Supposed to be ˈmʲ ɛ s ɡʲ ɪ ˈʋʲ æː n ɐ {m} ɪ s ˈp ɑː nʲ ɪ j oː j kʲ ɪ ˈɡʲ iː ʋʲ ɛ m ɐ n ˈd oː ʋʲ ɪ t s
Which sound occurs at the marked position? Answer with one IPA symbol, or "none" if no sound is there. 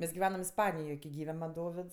m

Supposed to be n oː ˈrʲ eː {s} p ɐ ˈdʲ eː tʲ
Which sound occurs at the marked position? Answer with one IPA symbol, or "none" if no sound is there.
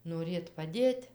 t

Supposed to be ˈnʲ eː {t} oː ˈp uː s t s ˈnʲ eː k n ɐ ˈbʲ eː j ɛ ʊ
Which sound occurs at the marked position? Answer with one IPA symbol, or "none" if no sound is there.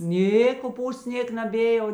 k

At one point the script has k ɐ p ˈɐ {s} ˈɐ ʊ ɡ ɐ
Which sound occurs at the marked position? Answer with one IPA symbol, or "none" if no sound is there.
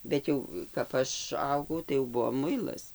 ʃ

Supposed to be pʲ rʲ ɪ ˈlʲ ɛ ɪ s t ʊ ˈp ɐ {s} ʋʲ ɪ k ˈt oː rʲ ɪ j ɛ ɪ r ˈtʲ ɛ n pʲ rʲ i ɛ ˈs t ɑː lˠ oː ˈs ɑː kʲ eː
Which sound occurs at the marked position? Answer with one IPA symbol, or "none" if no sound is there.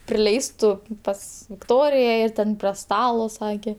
s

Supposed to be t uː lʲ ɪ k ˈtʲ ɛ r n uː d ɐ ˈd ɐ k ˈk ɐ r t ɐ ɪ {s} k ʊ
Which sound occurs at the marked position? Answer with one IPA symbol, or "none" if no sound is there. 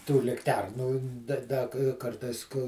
s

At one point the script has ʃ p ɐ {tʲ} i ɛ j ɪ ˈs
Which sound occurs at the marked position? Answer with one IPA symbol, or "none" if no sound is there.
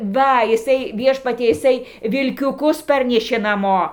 tʲ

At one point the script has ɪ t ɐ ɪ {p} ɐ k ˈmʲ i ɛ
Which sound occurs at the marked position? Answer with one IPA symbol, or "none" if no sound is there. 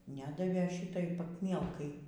p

